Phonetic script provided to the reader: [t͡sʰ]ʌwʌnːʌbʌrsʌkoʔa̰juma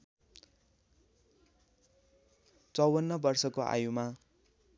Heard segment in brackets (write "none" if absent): t͡s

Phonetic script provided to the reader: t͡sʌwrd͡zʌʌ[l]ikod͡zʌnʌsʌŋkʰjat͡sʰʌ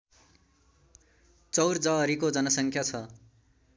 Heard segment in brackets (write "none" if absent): ɾ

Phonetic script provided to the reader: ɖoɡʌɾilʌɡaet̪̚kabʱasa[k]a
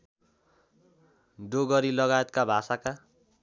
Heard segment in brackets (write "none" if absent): k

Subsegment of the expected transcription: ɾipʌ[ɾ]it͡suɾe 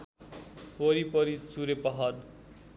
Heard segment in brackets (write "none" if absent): ɾ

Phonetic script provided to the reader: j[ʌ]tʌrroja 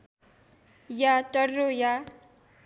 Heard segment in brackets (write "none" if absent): a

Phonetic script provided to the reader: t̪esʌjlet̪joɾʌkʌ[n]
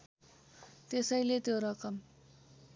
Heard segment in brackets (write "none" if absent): m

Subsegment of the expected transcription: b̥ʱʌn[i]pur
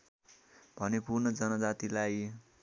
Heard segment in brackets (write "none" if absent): e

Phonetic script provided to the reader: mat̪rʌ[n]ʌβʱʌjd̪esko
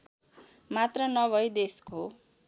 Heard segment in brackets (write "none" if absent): n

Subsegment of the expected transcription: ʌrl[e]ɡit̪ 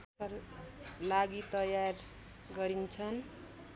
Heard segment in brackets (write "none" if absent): a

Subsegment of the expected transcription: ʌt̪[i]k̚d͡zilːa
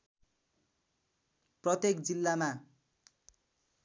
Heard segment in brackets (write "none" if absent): e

